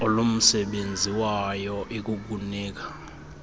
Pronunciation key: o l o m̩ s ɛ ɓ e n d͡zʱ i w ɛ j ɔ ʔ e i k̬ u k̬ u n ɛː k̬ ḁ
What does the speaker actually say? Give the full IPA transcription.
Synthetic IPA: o l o m̩ s ɛ ɓ e n d͡zʱ i w a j ɔ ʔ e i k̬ u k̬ u n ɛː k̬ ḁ

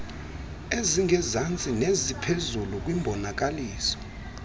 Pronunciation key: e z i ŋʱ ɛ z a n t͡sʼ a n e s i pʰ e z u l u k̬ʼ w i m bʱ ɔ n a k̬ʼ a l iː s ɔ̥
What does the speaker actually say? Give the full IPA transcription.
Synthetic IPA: e z i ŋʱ ɛ z a n t͡sʼ i n e z i pʰ e z u l u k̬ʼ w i m bʱ ɔ n a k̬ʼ a l iː s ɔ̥

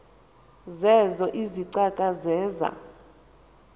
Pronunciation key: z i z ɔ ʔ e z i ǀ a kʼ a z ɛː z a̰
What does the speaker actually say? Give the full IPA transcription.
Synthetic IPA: z ɛ z ɔ ʔ i z i ǀ a kʼ a z ɛː z a̰

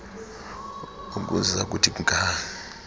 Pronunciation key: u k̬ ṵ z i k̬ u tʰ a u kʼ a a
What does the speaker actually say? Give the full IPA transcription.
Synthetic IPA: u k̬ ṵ z a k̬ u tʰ i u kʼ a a

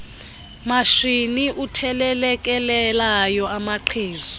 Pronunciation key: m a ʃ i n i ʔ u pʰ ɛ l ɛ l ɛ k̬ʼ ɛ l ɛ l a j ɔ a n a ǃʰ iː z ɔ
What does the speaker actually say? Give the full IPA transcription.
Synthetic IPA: m a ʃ i n i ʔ u tʰ ɛ l ɛ l ɛ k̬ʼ ɛ l ɛ l a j ɔ a m a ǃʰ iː z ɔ

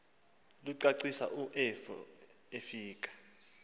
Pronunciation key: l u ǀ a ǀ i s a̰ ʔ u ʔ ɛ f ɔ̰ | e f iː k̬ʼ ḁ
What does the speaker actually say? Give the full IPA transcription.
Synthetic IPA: l u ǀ a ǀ i s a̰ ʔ u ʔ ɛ f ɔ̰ | e f iː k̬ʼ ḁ

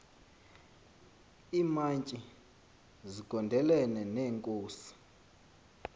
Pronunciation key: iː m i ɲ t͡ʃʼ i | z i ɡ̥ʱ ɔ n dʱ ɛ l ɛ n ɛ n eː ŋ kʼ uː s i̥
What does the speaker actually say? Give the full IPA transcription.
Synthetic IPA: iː m a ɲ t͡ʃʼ i | z i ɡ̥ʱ ɔ n dʱ ɛ l ɛ n ɛ n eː ŋ kʼ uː s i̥

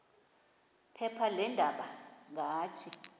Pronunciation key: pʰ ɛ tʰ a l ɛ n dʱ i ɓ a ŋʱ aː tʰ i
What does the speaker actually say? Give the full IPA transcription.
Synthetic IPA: pʰ ɛ pʰ a l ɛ n dʱ a ɓ a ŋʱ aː tʰ i

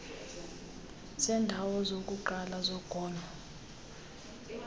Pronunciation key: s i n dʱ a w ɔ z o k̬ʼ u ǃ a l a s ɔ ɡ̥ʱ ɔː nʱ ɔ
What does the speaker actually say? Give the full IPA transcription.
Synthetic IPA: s ɛ n dʱ a w ɔ z o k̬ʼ u ǃ a l a z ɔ ɡ̥ʱ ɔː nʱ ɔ

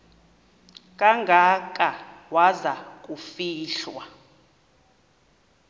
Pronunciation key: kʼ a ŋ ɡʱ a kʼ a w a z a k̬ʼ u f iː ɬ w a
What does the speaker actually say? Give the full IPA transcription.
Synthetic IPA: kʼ a ŋ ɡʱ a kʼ a w a z a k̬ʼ u f iː ɬ w a

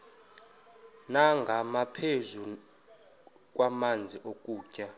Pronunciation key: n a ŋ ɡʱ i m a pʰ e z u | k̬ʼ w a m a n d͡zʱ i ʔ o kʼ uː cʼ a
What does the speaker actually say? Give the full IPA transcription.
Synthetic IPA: n a ŋ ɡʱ a m a pʰ e z u | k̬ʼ w a m a n d͡zʱ i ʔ o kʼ uː cʼ a

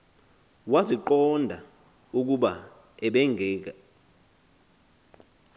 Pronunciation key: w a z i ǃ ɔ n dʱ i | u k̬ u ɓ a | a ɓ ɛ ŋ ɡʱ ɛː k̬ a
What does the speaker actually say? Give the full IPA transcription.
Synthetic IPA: w a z i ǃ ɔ n dʱ a | u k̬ u ɓ a | ɛ ɓ ɛ ŋ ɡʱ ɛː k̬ a

